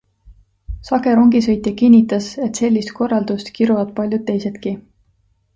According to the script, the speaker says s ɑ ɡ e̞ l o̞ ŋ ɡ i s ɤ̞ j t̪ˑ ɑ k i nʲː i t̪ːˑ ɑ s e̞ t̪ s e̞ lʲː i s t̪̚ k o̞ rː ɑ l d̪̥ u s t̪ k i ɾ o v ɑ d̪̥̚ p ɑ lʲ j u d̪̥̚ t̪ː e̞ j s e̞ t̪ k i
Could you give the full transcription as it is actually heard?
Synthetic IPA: s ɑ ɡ e̞ ɾ o̞ ŋ ɡ i s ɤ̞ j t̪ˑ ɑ k i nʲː i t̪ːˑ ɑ s e̞ t̪ s e̞ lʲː i s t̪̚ k o̞ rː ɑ l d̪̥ u s t̪ k i ɾ u v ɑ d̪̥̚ p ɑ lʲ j u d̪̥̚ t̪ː e̞ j s e̞ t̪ k i